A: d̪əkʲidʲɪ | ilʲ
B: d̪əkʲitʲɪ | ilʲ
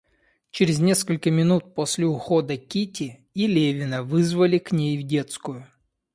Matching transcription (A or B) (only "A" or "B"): B